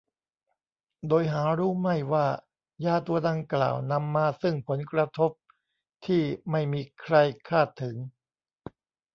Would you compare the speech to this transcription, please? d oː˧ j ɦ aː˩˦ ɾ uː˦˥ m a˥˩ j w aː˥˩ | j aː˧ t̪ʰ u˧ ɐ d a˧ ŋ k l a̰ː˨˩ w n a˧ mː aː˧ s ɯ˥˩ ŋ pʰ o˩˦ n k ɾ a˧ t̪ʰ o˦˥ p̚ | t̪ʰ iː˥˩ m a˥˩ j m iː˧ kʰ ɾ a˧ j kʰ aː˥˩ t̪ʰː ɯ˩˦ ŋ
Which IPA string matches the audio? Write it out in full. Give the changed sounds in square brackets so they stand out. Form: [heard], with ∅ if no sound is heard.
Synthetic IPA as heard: d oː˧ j ɦ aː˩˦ ɾ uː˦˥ m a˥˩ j w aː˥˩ | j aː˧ [t̪] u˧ ɐ d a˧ ŋ k l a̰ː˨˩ w n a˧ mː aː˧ s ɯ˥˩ ŋ pʰ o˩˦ n k ɾ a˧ t̪ʰ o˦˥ p̚ | t̪ʰ iː˥˩ m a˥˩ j m iː˧ kʰ ɾ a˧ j kʰ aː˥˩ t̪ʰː ɯ˩˦ ŋ